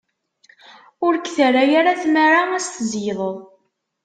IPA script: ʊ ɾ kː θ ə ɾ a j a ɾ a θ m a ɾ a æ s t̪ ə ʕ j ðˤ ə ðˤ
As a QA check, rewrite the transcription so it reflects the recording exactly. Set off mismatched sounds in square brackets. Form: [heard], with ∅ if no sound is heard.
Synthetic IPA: ʊ ɾ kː θ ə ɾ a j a ɾ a θ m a ɾ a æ s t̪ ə [z] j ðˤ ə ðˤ